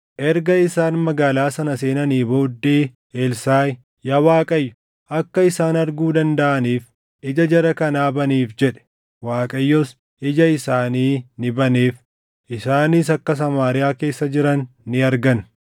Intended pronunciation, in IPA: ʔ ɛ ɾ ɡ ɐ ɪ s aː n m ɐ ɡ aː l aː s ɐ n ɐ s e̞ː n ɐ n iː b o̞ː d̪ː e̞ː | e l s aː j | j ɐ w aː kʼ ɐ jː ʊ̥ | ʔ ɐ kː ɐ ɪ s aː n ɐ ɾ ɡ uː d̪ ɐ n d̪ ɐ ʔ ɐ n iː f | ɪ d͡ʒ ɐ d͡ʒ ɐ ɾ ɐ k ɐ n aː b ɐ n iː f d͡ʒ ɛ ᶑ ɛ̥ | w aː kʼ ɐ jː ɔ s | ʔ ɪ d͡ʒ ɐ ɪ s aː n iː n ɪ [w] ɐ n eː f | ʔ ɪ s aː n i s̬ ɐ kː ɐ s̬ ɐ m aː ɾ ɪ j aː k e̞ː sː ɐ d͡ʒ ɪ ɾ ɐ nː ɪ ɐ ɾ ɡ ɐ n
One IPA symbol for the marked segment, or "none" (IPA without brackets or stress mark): b